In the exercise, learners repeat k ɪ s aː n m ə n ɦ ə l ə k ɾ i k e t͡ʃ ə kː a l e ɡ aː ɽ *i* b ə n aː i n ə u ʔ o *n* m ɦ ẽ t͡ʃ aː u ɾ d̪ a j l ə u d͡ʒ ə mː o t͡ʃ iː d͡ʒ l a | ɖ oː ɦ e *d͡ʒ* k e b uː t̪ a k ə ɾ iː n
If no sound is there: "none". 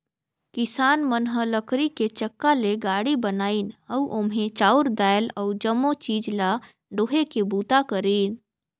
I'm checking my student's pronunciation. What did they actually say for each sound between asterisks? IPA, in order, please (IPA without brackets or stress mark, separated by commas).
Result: i, none, none